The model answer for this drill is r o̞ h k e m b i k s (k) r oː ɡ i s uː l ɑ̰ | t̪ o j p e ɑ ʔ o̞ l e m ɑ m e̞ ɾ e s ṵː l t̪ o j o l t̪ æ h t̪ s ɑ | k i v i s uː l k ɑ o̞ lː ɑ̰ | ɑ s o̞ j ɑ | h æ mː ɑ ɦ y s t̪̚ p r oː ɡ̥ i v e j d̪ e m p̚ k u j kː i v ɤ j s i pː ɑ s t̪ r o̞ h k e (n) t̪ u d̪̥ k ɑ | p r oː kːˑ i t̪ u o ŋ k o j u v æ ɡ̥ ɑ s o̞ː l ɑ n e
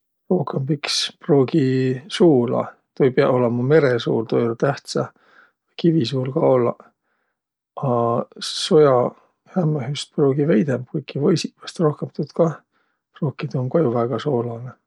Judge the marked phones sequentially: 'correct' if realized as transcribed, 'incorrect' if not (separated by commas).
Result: incorrect, incorrect